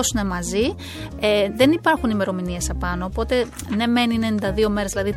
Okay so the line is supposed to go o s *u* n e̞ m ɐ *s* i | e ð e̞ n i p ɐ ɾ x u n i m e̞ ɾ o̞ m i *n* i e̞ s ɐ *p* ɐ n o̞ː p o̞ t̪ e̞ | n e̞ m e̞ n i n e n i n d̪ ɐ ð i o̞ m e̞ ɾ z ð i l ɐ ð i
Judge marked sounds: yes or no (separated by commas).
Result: yes, no, yes, yes